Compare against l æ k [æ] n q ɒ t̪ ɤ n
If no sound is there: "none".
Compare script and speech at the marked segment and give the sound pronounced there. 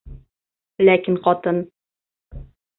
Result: i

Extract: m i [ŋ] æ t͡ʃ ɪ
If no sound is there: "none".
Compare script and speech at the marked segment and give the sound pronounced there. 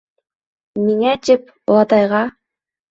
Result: ŋ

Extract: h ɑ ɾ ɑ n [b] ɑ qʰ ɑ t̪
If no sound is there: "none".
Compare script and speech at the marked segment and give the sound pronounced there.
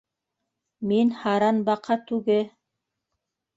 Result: b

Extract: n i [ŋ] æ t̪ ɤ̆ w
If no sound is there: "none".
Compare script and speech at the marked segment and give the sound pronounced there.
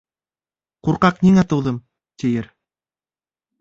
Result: ŋ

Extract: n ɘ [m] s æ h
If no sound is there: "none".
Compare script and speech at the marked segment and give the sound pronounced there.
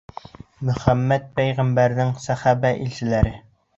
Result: ŋ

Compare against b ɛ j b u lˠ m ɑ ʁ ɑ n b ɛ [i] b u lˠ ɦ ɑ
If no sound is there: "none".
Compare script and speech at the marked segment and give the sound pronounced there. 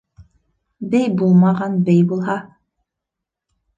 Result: j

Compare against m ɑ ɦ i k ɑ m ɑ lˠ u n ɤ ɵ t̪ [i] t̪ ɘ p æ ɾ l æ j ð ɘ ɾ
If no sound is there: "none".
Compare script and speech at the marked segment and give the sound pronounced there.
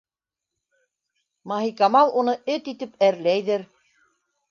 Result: i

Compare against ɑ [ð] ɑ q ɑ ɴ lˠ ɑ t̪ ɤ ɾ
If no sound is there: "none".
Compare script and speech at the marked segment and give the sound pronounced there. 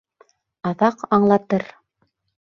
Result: ð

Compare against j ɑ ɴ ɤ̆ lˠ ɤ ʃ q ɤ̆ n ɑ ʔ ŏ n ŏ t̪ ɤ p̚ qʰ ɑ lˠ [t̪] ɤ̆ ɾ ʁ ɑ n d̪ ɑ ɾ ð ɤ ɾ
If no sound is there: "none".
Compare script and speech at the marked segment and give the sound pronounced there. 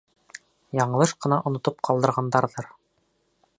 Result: d̪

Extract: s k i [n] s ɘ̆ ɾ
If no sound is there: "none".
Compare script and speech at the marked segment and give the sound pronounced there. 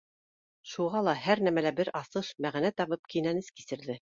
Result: none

